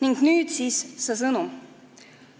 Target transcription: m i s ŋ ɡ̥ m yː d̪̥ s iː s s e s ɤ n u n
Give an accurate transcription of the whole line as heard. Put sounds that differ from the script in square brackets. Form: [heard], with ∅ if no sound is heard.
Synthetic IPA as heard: [n] i [∅] ŋ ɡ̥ [n] yː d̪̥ s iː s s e s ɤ n u [m]